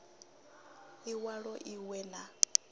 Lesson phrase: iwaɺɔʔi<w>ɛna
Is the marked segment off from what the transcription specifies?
no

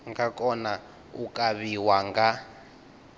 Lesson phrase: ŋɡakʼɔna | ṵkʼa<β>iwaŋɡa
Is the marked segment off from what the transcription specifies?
no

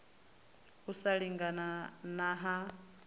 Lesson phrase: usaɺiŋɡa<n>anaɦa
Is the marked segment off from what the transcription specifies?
no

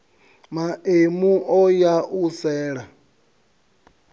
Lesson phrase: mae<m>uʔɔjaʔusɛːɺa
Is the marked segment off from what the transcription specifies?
no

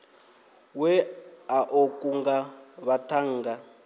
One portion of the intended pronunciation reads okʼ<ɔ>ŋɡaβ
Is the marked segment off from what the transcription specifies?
yes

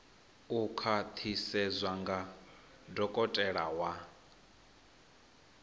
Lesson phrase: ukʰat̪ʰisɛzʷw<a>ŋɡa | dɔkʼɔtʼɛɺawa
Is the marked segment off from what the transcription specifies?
no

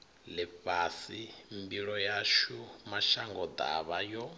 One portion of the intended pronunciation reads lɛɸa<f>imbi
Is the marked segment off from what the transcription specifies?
yes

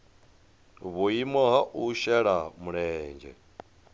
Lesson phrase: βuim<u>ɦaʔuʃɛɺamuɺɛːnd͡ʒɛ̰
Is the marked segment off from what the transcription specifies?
yes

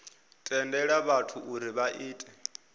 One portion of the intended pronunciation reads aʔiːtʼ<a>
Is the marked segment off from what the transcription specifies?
yes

